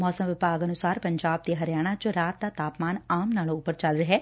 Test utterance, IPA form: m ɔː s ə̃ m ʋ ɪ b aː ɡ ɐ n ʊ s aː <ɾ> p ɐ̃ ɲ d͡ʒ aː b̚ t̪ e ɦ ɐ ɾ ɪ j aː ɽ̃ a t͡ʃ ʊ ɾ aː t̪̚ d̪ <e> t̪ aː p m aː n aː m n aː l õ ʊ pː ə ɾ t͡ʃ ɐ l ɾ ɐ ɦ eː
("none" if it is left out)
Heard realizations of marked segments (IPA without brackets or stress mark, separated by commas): ɾ, a